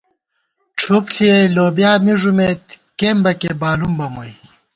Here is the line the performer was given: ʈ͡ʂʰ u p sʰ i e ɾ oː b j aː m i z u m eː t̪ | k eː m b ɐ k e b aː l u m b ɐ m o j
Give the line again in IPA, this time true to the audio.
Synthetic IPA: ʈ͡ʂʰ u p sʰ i e l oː b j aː m i ʐ u m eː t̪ | k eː m b ɐ k e b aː l u m b ɐ m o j